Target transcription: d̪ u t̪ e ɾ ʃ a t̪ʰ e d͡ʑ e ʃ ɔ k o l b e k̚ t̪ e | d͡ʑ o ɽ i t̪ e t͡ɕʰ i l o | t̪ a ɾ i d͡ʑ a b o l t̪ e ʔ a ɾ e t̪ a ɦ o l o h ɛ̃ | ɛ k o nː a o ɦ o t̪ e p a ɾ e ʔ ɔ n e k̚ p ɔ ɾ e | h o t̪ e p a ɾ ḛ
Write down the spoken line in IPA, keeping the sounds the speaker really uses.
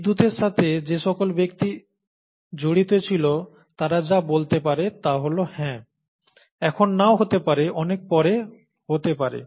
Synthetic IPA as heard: d̪ u t̪ e ɾ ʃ a t̪ʰ e d͡ʑ e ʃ ɔ k o l b e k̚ t̪ i | d͡ʑ o ɽ i t̪ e t͡ɕʰ i l o | t̪ a ɾ a d͡ʑ a b o l t̪ e p a ɾ e t̪ a ɦ o l o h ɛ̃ | ɛ kʰ o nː a o ɦ o t̪ e p a ɾ e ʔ ɔ n e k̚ p ɔ ɾ e | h o t̪ e p a ɾ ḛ